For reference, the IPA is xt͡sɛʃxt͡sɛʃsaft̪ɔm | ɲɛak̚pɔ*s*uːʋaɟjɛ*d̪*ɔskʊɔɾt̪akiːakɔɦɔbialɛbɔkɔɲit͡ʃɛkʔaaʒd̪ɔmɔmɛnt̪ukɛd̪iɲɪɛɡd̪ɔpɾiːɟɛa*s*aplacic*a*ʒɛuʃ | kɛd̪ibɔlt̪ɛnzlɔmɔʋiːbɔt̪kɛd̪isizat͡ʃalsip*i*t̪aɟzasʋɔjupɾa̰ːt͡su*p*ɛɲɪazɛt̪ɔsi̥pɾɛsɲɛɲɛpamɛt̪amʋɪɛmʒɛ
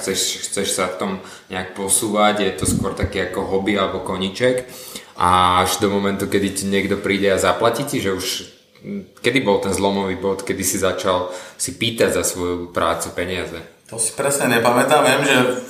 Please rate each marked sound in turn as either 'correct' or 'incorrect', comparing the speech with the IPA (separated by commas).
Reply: correct, incorrect, incorrect, incorrect, incorrect, correct